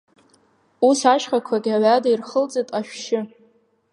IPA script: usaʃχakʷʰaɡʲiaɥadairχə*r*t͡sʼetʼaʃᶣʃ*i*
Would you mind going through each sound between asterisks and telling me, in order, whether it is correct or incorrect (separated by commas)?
incorrect, incorrect